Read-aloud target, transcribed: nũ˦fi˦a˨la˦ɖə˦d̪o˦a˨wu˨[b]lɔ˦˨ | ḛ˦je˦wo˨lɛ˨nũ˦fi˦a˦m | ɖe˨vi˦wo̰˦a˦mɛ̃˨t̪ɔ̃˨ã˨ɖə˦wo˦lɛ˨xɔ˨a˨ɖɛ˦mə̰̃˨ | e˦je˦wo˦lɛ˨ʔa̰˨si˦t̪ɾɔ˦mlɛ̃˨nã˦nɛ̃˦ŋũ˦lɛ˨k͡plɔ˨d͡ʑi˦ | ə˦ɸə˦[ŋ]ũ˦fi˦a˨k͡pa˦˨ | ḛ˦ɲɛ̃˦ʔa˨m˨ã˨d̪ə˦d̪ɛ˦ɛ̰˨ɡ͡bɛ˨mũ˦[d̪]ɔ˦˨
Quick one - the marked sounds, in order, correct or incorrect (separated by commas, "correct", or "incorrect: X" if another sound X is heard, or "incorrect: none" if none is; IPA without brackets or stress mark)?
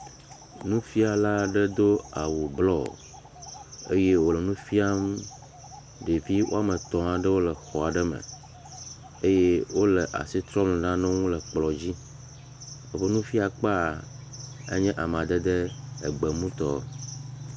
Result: correct, incorrect: n, incorrect: t̪